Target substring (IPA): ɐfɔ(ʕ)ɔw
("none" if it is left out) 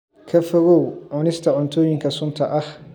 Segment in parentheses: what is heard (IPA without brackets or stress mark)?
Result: ɣ